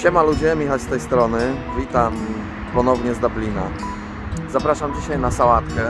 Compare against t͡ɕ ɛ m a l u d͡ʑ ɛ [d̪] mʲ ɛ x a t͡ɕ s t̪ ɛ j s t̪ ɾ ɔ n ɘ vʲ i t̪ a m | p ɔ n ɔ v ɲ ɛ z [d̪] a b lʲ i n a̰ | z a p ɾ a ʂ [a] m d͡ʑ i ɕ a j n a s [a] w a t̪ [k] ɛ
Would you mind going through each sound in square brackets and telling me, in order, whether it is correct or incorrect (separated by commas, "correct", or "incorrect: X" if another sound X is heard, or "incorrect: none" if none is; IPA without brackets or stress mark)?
incorrect: none, correct, correct, correct, correct